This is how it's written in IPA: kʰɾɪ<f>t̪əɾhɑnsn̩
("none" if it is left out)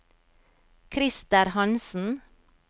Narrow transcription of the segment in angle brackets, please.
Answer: s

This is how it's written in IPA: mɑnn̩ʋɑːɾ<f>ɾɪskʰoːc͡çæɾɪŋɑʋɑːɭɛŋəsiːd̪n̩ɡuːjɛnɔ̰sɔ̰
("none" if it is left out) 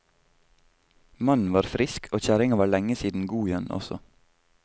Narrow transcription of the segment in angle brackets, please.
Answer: f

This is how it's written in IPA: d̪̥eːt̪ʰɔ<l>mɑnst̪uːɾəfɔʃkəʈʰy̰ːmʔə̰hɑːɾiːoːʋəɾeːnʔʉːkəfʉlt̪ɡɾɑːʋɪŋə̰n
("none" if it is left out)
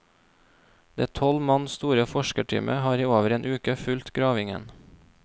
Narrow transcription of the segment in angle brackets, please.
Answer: l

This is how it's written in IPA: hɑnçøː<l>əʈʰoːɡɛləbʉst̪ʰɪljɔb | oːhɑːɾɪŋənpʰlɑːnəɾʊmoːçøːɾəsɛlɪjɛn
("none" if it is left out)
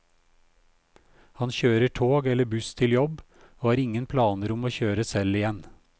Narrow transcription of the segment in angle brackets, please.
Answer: ɾ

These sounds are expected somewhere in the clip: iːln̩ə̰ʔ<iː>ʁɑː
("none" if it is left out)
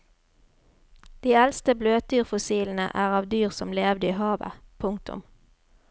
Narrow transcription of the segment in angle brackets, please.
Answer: æː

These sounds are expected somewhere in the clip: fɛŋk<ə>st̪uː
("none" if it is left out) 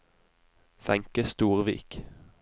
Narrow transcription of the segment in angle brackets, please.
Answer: ə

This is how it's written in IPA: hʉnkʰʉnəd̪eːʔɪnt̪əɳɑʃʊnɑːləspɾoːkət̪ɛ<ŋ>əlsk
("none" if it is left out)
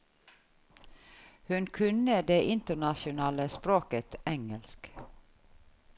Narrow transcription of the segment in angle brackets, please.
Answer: ŋ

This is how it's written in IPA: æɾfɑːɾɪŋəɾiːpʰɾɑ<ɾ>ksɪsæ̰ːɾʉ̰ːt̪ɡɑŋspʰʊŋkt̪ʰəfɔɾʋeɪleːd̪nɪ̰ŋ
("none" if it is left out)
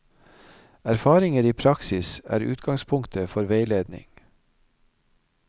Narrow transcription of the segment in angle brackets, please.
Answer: none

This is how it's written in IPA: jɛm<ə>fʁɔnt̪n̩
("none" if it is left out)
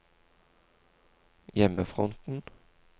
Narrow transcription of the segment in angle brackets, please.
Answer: ə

